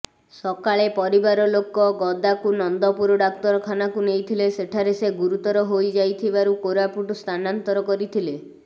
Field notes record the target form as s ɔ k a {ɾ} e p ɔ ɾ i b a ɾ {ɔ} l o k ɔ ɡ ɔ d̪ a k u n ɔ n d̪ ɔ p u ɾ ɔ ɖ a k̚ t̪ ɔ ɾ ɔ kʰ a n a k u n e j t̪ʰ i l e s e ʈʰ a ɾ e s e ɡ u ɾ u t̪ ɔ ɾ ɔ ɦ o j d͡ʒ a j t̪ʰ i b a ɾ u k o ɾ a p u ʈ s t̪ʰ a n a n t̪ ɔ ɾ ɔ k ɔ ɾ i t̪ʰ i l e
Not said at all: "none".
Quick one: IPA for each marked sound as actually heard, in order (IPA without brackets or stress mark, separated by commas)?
ɭ, ɔ